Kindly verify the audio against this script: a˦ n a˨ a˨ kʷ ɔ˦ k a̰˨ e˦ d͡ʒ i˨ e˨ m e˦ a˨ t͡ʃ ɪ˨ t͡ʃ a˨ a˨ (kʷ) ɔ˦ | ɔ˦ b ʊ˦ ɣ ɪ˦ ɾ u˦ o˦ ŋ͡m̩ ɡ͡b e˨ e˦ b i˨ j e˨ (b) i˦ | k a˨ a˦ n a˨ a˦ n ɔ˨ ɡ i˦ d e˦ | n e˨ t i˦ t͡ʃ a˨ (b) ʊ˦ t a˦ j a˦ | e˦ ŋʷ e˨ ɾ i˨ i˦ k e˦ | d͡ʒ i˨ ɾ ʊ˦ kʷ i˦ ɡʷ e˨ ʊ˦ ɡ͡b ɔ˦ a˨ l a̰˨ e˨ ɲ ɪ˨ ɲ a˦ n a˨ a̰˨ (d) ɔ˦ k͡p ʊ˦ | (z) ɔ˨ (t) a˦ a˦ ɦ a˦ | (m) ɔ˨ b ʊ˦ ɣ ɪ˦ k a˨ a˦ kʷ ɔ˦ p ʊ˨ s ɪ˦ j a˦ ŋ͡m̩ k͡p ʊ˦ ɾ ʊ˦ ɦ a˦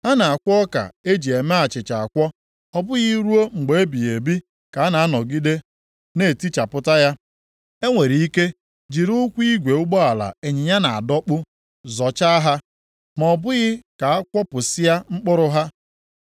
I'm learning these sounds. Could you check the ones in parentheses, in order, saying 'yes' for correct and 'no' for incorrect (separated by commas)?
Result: yes, yes, no, yes, yes, no, yes